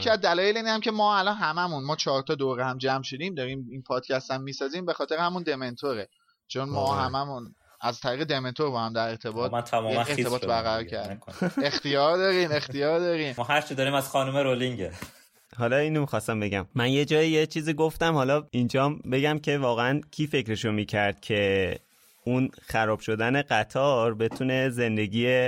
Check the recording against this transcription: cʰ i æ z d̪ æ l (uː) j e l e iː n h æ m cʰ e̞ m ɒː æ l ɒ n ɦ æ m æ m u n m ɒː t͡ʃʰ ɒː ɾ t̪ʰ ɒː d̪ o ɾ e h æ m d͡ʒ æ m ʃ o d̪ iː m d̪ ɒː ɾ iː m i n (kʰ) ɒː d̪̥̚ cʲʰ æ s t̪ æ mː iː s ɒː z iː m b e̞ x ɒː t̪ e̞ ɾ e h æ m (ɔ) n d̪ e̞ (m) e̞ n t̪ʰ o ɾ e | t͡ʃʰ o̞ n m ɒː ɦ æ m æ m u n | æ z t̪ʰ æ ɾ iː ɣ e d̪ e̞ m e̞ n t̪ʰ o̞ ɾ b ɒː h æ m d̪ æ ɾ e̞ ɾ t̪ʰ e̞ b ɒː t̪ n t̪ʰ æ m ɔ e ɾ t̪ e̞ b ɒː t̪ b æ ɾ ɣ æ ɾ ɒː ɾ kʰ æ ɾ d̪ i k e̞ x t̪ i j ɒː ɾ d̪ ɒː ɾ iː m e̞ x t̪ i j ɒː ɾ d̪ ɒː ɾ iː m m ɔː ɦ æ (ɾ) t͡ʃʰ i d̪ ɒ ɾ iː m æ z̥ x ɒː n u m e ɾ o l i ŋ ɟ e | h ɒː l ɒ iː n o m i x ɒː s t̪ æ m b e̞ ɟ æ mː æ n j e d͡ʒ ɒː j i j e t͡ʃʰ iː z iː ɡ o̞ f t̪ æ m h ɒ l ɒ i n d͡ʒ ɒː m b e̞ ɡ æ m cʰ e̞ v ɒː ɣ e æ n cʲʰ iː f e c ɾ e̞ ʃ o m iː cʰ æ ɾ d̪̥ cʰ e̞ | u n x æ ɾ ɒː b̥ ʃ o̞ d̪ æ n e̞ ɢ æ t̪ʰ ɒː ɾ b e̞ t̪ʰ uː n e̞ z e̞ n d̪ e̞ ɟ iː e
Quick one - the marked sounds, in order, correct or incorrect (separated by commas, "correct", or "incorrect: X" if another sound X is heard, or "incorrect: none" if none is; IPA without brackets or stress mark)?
incorrect: ɒː, incorrect: pʰ, incorrect: u, correct, correct